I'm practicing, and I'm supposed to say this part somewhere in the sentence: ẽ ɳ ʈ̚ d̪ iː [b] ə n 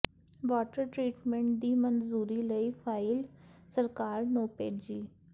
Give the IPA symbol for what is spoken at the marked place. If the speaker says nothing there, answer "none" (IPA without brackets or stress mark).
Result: m